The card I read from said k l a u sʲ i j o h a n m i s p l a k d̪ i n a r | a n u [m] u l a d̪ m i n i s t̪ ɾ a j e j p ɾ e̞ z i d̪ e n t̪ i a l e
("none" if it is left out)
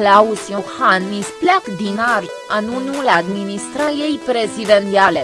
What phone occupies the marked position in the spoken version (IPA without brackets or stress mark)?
n